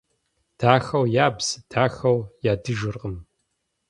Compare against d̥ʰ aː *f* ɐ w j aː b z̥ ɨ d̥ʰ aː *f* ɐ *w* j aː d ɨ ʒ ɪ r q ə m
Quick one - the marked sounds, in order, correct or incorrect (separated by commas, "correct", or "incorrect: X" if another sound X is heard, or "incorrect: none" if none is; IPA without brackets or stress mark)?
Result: incorrect: x, incorrect: x, correct